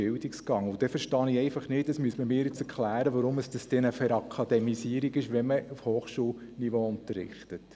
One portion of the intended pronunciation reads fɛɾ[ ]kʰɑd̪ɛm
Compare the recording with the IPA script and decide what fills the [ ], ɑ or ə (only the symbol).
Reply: ɑ